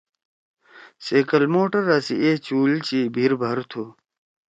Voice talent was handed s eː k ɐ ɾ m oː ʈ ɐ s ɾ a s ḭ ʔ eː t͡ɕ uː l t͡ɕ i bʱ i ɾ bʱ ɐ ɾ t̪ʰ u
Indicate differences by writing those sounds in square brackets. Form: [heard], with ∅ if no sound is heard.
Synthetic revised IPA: s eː k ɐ [l] m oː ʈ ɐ [∅] ɾ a s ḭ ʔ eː t͡ɕ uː l t͡ɕ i bʱ i ɾ bʱ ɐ ɾ t̪ʰ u